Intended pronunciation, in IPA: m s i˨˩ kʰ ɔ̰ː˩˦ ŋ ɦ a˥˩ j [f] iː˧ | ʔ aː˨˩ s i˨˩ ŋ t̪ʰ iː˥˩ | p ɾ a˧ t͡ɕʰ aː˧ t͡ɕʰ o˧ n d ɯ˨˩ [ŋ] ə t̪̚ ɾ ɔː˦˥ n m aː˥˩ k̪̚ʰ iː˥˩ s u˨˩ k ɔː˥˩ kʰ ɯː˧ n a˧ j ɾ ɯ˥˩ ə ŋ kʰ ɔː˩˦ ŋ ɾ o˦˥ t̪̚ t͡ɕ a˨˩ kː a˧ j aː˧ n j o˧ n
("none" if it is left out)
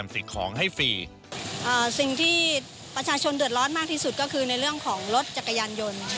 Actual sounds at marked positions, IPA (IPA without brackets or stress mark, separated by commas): f, none